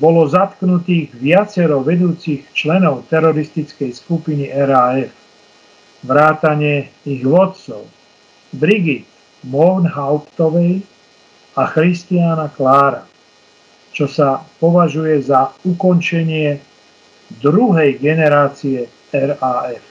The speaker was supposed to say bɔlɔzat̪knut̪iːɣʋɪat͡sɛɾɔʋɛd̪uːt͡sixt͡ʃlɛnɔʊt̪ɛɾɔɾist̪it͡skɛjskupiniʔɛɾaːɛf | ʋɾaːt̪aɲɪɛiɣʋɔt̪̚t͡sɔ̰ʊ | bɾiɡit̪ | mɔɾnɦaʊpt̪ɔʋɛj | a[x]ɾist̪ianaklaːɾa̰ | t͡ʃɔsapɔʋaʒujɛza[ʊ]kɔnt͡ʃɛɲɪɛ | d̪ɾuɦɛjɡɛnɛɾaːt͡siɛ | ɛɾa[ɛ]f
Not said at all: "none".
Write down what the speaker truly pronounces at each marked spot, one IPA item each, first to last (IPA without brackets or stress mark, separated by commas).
x, u, ɛ